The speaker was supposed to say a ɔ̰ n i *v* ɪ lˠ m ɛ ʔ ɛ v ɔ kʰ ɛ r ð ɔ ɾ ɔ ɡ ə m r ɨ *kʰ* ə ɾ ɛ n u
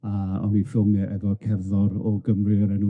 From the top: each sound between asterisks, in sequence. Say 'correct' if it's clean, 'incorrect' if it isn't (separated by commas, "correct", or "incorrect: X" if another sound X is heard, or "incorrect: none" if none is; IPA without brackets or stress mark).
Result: incorrect: f, incorrect: none